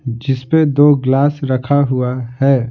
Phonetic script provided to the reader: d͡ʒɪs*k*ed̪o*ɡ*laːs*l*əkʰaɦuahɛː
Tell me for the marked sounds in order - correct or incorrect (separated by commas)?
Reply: incorrect, correct, incorrect